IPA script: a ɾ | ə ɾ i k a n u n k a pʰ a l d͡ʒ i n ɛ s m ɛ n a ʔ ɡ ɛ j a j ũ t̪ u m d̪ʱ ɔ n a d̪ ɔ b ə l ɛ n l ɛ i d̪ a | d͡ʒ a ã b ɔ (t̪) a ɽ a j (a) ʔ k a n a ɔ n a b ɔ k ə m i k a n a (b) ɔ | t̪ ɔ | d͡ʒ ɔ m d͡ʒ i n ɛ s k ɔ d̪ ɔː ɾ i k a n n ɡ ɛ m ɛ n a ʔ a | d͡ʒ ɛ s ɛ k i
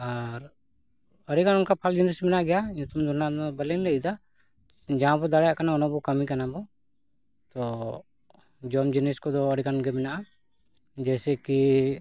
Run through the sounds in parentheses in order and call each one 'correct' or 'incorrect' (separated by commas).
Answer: incorrect, correct, correct